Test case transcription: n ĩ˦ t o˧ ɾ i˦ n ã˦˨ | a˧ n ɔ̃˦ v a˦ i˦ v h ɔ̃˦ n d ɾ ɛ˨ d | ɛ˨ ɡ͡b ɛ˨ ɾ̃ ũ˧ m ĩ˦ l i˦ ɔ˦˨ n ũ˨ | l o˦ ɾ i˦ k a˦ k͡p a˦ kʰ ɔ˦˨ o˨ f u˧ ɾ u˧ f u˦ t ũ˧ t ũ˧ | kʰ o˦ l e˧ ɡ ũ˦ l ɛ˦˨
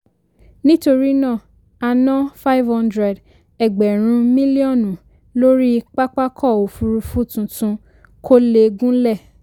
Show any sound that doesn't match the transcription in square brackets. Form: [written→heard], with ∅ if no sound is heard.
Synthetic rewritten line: n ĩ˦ t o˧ ɾ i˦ n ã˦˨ | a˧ n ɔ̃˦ [v→f] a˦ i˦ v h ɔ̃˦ n d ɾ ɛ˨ d | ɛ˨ ɡ͡b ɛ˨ ɾ̃ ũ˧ m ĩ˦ l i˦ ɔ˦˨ n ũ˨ | l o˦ ɾ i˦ [k→k͡p] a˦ k͡p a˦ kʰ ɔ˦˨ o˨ f u˧ ɾ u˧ f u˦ t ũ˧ t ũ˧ | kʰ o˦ l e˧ ɡ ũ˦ l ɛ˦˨